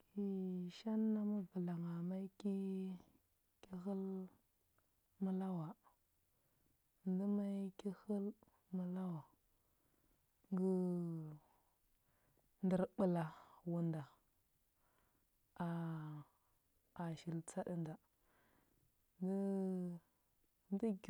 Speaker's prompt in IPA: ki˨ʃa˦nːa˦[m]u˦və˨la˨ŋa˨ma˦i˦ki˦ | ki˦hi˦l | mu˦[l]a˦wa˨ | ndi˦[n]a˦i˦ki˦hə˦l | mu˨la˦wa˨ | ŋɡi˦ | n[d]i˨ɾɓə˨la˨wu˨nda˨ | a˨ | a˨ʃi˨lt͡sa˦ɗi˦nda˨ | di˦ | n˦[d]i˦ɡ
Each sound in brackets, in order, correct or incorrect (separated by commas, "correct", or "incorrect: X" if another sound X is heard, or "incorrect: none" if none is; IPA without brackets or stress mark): correct, correct, incorrect: m, correct, correct